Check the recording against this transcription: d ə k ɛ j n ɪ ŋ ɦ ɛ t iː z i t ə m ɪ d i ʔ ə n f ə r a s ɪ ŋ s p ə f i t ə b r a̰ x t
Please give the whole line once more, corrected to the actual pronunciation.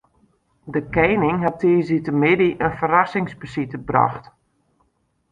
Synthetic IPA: d ə k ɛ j n ɪ ŋ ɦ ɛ t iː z i t ə m ɪ d i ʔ ə n f ə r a s ɪ ŋ s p ə s i t ə b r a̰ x t